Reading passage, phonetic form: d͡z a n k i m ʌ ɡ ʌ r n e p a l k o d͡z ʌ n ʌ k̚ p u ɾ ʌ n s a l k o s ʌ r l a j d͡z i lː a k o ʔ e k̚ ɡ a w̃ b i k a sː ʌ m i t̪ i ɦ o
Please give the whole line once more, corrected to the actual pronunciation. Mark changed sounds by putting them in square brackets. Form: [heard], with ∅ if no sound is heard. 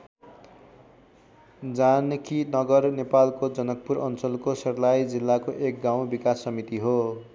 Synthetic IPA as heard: d͡z a n k i [n] ʌ ɡ ʌ r n e p a l k o d͡z ʌ n ʌ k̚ p u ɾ ʌ n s [ʌ] l k o s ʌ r l a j d͡z i lː a k o ʔ e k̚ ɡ a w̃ b i k a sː ʌ m i t̪ i ɦ o